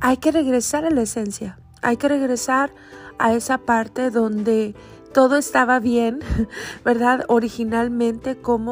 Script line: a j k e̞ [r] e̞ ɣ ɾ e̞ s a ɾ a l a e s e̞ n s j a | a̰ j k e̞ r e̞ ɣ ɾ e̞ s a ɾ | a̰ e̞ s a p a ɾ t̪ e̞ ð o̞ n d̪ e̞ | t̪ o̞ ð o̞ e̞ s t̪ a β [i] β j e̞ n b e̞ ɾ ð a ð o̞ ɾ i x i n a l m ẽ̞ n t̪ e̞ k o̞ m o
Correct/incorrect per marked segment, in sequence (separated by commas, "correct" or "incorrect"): correct, incorrect